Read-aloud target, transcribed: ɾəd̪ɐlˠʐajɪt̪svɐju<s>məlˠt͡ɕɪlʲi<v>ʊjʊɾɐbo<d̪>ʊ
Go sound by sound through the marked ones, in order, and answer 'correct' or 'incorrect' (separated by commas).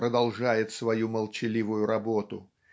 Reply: incorrect, correct, incorrect